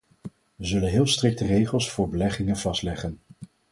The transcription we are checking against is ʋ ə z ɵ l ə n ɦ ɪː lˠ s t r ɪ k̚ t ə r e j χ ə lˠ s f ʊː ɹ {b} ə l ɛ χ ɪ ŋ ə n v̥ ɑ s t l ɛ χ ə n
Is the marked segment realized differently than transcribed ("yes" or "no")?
no